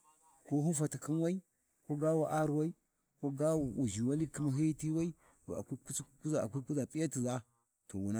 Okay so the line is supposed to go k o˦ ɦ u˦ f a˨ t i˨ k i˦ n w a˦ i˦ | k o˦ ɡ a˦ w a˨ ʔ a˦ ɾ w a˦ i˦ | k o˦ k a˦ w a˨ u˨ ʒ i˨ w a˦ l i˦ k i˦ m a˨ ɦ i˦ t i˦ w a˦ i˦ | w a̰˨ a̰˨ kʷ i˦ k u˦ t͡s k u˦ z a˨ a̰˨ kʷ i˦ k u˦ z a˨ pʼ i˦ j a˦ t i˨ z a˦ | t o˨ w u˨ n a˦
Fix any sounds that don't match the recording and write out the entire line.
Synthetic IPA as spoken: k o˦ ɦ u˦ f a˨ t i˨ k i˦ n w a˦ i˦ | k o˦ ɡ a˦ w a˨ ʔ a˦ ɾ w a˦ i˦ | k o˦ ɡ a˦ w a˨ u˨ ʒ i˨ w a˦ l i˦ k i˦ m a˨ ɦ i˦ t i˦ w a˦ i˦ | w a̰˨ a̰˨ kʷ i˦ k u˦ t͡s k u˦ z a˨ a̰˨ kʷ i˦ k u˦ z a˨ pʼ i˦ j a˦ t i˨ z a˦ | t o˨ w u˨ n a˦